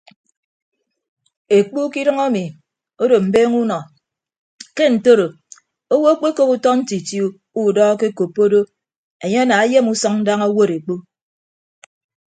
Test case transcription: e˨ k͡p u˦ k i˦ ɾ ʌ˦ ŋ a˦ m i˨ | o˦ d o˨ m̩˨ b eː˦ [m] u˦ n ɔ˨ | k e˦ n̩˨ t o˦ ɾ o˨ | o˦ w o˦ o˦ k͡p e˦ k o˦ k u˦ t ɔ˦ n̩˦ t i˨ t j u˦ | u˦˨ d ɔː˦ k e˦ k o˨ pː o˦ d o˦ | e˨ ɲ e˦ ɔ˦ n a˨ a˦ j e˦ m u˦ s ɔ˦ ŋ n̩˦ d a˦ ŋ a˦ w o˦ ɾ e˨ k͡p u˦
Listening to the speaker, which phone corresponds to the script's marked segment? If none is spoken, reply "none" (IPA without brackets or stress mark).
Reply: ŋ